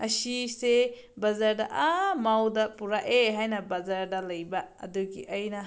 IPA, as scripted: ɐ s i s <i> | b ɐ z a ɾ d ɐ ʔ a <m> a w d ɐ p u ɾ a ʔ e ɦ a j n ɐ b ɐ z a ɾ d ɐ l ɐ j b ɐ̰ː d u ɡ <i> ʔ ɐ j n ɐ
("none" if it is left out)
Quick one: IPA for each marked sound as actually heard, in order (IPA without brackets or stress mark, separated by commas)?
e, m, i